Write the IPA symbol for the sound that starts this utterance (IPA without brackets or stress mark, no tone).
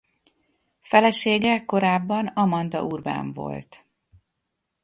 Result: f